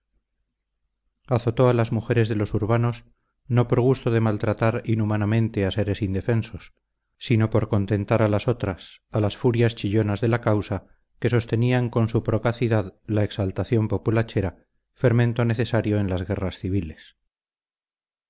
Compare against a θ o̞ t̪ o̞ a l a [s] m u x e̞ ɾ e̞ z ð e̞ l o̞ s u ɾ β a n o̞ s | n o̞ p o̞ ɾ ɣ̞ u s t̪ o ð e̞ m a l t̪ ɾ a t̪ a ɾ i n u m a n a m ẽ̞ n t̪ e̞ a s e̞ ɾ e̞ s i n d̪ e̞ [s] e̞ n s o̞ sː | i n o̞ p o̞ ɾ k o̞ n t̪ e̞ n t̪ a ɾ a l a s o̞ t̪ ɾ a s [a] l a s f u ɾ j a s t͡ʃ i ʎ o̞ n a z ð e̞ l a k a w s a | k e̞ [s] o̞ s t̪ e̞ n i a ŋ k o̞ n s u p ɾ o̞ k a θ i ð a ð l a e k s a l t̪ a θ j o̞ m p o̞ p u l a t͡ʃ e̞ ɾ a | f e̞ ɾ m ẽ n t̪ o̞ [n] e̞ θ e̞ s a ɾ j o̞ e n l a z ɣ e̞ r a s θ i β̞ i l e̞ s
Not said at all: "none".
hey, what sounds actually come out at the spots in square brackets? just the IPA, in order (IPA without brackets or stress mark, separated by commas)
z, f, a, s, n